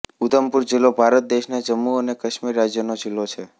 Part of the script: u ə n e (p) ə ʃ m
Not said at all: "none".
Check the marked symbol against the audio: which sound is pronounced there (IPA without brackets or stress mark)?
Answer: k